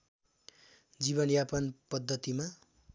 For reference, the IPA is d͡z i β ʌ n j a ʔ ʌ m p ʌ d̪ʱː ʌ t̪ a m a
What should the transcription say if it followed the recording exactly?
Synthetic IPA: d͡z i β ʌ n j a p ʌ n p ʌ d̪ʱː ʌ t̪ i m a